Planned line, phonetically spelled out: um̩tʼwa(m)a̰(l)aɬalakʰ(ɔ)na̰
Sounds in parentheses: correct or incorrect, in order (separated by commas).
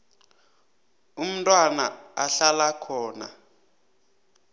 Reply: incorrect, incorrect, incorrect